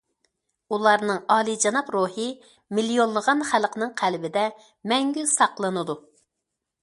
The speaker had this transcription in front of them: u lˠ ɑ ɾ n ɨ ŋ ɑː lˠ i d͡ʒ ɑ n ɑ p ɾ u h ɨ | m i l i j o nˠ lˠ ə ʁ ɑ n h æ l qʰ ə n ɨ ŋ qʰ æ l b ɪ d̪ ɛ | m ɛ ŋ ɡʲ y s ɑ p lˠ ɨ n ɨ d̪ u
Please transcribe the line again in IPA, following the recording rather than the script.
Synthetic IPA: u lˠ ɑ ɾ n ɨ ŋ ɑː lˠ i d͡ʒ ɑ n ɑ p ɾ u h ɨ | m i l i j o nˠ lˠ ə ʁ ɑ n χ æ l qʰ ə n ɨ ŋ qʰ æ l b ɪ d̪ ɛ | m ɛ ŋ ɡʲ y s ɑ q lˠ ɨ n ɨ d̪ u